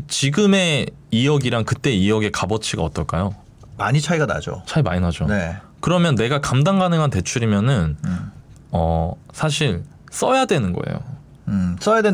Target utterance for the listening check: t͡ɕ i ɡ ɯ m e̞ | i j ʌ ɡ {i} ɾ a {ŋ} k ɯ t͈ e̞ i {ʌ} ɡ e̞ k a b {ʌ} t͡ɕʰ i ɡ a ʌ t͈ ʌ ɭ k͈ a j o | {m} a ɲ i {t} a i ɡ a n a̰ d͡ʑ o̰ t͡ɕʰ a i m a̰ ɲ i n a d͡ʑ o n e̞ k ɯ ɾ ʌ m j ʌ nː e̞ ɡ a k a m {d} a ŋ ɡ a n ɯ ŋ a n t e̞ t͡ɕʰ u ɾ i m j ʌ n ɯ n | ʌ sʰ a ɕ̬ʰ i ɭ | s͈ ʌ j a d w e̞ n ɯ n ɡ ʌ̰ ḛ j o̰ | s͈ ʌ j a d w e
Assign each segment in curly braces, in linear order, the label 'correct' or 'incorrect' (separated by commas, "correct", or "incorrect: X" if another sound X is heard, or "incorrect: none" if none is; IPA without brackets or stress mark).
correct, correct, correct, correct, correct, incorrect: t͡ɕʰ, correct